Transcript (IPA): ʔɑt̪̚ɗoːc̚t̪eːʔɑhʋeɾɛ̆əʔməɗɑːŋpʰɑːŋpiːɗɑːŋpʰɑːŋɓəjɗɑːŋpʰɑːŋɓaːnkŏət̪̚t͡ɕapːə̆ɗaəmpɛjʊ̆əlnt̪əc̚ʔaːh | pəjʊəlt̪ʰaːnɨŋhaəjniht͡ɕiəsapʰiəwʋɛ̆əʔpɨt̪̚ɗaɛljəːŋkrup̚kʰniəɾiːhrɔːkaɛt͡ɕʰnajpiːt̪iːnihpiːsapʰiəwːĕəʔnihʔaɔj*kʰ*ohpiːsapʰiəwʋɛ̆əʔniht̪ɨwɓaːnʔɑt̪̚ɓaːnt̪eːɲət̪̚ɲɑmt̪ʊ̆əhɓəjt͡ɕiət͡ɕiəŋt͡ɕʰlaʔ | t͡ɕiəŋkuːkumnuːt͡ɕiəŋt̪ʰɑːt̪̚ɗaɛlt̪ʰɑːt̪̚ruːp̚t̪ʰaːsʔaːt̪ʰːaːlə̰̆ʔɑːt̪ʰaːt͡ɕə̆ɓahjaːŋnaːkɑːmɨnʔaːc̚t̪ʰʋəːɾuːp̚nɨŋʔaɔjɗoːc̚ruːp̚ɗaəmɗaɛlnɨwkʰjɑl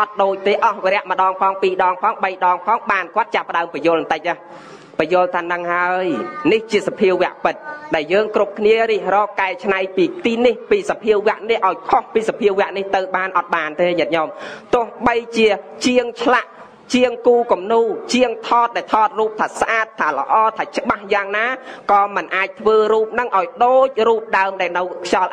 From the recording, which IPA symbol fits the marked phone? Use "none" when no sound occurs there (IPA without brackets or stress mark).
kʰ